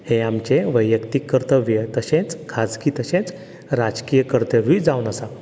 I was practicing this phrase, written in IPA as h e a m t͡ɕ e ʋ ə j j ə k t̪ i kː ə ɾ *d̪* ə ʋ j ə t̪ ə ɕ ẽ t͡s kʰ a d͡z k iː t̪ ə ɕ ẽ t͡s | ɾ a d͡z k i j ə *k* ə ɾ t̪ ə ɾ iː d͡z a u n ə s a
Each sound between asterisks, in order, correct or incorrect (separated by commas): incorrect, correct